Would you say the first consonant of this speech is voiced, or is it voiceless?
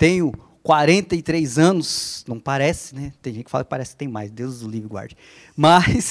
voiceless